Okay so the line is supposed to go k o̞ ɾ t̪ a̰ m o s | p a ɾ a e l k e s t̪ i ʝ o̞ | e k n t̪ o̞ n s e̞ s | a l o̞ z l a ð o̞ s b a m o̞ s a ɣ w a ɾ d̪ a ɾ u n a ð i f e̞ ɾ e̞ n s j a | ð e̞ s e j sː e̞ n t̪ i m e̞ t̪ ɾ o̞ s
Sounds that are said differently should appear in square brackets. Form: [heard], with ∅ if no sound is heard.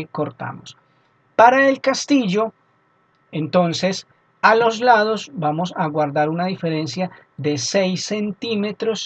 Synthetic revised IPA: k o̞ ɾ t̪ a̰ m o s | p a ɾ a e l k [a] s t̪ i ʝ o̞ | e [∅] n t̪ o̞ n s e̞ s | a l o̞ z l a ð o̞ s b a m o̞ s a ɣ w a ɾ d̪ a ɾ u n a ð i f e̞ ɾ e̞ n s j a | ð e̞ s e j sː e̞ n t̪ i m e̞ t̪ ɾ o̞ s